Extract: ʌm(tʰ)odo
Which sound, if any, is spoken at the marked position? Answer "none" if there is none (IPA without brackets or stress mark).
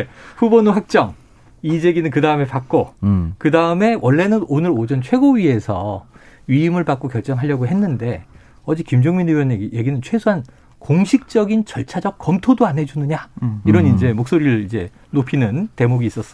tʰ